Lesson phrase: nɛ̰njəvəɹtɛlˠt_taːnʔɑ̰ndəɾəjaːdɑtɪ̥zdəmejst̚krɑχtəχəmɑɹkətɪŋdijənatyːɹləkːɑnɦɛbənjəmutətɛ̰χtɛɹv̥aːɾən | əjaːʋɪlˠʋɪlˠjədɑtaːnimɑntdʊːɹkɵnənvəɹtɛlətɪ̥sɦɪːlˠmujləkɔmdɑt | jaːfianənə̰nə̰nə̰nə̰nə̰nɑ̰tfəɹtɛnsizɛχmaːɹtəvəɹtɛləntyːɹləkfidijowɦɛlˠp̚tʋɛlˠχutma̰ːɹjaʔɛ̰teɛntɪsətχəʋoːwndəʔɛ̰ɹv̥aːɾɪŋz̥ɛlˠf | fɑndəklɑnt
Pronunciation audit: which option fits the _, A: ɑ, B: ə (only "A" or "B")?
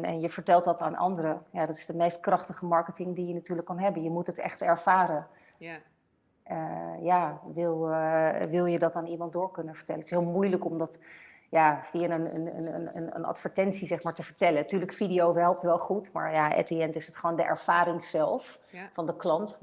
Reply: A